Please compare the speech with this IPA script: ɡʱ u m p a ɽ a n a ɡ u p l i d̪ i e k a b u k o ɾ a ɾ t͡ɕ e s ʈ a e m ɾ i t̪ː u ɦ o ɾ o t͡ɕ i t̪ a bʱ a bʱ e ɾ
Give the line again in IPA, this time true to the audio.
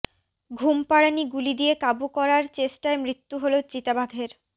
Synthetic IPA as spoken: ɡʱ u m p a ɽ a n i ɡ u l i d̪ i e k a b u k ɔ ɾ a ɾ t͡ɕ e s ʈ a e m ɾ i t̪ː u ɦ o l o t͡ɕ i t̪ a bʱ a ɡʱ e ɾ